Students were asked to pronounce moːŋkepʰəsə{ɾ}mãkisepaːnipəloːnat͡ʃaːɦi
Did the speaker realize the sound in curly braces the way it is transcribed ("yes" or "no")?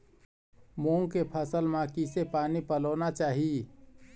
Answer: no